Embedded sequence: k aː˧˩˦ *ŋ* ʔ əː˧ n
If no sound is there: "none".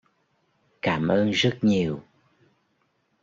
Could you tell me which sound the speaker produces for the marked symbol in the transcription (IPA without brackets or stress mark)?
m